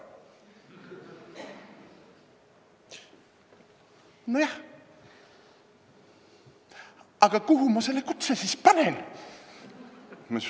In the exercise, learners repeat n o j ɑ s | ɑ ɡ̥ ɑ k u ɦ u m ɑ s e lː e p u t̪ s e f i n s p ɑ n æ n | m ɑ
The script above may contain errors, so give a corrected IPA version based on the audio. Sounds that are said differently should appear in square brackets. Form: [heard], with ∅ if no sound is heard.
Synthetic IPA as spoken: n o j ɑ [h] | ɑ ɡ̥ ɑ k u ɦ u m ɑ s e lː e [k] u t̪ s e [s] i [∅] s p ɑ n [e] n | m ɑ